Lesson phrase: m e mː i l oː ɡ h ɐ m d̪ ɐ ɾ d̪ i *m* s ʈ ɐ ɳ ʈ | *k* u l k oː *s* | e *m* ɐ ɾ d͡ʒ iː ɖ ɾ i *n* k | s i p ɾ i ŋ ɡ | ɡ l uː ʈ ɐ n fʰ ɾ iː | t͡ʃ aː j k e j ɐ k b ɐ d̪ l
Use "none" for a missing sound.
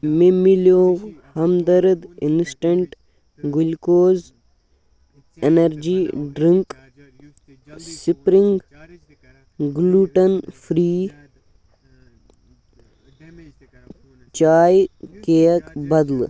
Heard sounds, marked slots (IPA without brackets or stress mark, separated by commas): n, ɡ, z, n, ŋ